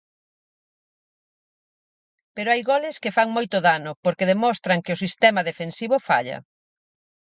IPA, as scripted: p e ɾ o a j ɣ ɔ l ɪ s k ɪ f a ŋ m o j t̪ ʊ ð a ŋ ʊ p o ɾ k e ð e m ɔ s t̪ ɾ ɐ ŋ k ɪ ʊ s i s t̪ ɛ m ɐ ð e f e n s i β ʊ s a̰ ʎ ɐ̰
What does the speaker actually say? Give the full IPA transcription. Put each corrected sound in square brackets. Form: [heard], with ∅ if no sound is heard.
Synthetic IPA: p e ɾ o a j ɣ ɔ l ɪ s k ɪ f a ŋ m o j t̪ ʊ ð a [n] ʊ p o ɾ k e ð e m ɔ s t̪ ɾ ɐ ŋ k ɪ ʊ s i s t̪ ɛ m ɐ ð e f e n s i β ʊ [f] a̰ ʎ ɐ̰